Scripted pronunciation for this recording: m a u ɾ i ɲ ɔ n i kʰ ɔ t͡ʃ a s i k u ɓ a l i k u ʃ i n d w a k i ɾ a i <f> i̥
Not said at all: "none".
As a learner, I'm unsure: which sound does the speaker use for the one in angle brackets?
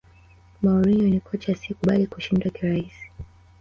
s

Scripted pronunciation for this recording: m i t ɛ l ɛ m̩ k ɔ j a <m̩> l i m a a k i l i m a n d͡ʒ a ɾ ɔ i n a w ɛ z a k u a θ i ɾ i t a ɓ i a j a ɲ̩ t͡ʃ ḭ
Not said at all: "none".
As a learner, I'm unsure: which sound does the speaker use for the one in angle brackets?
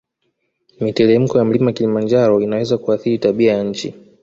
m̩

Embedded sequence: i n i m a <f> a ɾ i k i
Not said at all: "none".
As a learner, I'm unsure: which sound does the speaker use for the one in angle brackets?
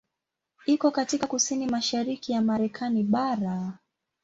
ʃ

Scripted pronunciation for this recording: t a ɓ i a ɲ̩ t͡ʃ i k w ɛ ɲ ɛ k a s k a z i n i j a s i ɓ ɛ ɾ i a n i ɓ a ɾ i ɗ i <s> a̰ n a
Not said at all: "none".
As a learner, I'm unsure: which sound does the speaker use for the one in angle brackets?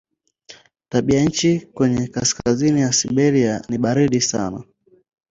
s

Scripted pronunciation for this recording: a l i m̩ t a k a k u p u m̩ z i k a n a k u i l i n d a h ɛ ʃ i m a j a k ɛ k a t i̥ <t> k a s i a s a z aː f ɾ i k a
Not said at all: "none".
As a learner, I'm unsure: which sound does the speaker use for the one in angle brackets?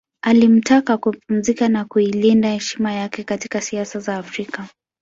none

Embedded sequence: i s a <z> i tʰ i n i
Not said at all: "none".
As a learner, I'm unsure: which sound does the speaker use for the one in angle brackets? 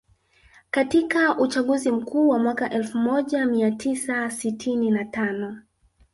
s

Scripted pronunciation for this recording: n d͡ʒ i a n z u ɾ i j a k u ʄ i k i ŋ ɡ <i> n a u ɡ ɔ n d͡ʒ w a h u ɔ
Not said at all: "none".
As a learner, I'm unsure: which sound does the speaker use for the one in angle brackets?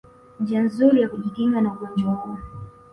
a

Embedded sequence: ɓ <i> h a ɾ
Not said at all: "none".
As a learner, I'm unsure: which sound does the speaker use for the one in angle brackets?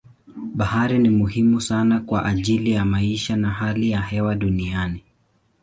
a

